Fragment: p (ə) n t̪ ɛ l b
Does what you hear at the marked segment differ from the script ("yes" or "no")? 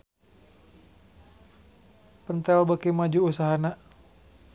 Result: no